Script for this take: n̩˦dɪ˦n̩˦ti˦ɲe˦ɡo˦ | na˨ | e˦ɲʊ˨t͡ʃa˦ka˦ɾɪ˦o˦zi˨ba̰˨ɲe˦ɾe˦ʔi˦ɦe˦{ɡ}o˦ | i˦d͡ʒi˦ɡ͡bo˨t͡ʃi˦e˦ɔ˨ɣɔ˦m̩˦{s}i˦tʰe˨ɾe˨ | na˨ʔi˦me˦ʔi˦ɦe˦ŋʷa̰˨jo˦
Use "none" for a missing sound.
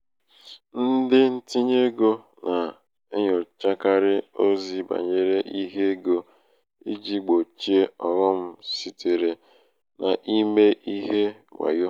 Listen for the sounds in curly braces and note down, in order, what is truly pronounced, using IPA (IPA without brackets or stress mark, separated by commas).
ɡ, s